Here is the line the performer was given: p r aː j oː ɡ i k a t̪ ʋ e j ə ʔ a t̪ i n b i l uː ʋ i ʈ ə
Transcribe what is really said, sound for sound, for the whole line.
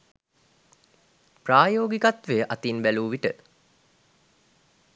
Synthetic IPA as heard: p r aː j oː ɡ i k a t̪ ʋ e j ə ʔ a t̪ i n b æ l uː ʋ i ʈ ə